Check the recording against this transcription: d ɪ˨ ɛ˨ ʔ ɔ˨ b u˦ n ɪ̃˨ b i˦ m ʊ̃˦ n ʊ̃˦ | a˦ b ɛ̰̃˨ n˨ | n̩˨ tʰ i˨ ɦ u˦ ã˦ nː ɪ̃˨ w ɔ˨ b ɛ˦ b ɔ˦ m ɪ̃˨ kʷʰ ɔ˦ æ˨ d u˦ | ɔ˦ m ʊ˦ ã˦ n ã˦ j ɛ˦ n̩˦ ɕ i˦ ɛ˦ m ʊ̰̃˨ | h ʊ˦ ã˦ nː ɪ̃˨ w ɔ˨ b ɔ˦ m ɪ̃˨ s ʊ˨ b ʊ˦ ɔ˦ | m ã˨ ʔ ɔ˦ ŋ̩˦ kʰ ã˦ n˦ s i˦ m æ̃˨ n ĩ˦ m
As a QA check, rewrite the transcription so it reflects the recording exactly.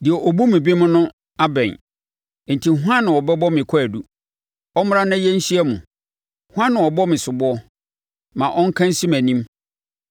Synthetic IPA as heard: d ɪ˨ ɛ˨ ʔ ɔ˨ b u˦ m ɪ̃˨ b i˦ m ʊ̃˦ n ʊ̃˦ | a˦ b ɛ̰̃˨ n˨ | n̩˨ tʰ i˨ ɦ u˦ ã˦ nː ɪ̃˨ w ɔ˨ b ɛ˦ b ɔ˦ m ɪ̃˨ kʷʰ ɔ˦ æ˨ d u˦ | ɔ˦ m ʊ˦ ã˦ n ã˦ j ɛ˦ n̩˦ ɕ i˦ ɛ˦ m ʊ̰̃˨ | h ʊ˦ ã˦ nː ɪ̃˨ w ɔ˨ b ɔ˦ m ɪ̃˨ s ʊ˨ b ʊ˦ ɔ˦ | m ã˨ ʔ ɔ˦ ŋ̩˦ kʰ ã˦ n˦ s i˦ m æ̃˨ n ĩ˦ m